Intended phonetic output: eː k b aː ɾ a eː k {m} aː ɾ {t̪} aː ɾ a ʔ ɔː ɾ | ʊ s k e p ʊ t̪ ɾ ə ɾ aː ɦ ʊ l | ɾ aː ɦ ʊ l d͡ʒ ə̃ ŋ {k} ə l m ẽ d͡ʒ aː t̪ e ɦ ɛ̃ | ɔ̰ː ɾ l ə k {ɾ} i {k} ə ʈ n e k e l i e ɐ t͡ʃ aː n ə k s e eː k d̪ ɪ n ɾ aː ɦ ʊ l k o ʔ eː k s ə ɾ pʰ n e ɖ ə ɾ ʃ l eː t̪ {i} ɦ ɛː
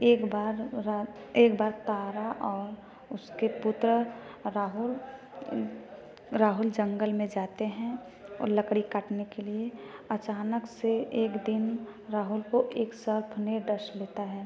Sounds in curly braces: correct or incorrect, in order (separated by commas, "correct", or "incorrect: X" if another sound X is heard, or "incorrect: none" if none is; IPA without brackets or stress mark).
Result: incorrect: b, correct, incorrect: ɡ, incorrect: ɽ, correct, incorrect: a